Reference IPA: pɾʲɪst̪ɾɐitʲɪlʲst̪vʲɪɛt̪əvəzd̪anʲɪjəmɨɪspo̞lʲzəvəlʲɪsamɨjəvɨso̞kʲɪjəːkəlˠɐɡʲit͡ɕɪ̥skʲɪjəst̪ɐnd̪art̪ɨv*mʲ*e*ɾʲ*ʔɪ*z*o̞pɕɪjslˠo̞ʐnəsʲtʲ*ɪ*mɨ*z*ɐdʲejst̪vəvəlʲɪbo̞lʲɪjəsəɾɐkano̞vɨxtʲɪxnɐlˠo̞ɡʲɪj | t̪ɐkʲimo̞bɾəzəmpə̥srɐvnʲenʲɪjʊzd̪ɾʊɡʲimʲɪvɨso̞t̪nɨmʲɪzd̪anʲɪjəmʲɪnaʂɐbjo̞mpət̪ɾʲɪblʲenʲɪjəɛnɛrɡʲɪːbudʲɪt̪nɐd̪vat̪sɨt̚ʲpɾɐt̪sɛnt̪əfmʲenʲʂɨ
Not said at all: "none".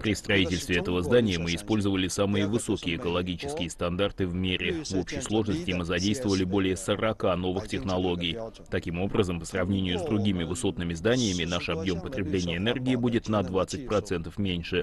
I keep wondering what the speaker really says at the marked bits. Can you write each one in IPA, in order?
mʲ, ɾʲ, v, ɪ, z

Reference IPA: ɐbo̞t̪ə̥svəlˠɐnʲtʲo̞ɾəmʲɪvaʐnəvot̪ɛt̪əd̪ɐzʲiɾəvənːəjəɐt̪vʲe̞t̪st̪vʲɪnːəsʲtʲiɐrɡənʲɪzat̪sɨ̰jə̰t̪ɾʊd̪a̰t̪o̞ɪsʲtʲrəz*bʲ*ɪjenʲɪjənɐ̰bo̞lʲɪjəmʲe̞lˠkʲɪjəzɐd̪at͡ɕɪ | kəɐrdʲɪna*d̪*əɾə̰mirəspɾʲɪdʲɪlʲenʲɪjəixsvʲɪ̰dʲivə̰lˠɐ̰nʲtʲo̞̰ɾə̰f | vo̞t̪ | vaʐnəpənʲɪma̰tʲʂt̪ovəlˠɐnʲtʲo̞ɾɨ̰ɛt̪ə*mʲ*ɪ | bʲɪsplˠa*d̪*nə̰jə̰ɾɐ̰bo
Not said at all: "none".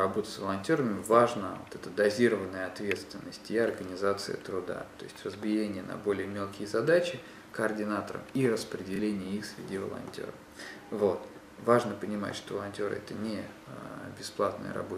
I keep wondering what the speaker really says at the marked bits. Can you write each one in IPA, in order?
bʲ, t̪, nʲ, t̪

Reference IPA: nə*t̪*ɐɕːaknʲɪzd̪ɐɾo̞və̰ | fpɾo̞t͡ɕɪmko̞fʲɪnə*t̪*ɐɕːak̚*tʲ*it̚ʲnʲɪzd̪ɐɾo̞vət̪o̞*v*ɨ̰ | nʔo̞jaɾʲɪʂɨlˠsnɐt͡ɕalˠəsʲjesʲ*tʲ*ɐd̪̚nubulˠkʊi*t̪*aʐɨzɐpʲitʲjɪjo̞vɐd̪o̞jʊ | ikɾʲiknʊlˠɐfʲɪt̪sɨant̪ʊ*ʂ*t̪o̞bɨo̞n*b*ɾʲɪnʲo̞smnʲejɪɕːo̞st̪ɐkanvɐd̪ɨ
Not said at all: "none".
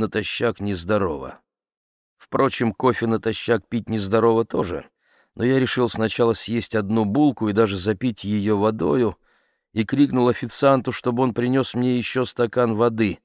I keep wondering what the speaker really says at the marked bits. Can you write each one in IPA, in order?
t̪, t̪, pʲ, ʐ, tʲ, d̪, ʂ, p

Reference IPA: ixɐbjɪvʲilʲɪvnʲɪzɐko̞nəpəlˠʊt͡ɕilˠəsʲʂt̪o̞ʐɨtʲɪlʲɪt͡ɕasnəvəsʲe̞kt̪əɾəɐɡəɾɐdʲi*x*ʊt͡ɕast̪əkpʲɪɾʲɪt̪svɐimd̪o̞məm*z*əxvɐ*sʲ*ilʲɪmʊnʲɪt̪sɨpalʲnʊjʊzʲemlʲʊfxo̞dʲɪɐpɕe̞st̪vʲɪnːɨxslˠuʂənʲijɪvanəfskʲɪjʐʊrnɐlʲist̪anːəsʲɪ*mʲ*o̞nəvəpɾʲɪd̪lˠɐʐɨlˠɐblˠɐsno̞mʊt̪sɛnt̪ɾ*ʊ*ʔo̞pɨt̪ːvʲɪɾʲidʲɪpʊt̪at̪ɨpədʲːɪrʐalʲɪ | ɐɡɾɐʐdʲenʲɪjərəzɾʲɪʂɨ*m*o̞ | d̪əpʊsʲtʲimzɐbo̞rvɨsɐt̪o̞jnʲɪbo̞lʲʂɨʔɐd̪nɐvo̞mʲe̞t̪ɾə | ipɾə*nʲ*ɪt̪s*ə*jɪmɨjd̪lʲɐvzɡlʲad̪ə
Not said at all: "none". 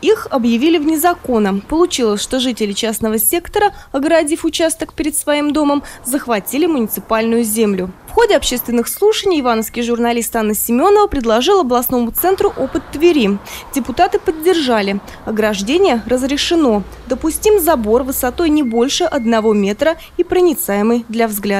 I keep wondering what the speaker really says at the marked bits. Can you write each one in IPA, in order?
f, z, tʲ, mʲ, ʊ, n, nʲ, a

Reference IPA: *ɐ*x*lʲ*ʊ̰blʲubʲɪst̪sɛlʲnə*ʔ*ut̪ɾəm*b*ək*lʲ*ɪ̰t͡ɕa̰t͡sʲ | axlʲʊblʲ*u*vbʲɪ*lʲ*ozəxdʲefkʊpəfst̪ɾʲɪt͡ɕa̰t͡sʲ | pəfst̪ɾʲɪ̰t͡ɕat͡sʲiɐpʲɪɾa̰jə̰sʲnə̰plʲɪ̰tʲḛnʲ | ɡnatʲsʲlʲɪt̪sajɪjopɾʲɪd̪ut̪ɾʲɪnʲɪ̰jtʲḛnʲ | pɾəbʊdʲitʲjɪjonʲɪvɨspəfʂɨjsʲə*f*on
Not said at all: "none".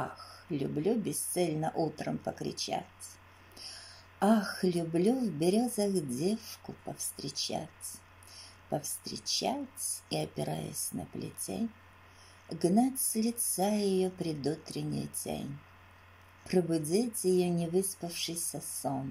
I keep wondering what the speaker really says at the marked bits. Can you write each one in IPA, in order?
a, lʲ, ʔ, p, ɾʲ, u, ɾʲ, s

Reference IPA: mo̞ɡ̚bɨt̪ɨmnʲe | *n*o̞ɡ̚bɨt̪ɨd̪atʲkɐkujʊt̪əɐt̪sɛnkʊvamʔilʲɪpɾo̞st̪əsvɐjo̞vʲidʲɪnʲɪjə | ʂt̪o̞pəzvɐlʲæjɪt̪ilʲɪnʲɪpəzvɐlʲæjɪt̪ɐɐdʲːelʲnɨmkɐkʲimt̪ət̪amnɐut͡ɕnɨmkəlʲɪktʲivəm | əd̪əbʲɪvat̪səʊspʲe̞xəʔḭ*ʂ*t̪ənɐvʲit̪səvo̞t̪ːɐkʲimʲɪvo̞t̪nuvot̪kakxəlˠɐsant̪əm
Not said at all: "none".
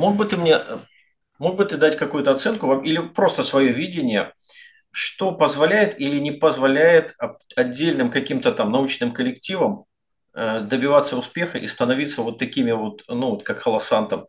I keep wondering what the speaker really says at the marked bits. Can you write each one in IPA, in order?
m, s

